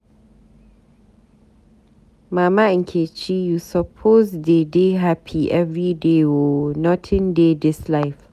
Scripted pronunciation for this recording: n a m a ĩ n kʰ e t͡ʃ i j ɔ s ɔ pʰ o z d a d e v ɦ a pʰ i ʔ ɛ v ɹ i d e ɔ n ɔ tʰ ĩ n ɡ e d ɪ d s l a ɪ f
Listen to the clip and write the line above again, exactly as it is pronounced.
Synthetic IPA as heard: m a m a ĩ n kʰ e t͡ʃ i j u s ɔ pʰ o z d e d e ɦ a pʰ i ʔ ɛ v ɹ i d e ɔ n ɔ tʰ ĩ n d e d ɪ s l a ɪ f